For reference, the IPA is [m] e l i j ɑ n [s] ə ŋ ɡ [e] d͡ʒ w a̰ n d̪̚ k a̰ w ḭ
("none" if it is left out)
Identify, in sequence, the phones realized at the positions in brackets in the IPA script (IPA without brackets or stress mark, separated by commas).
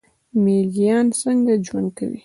m, s, a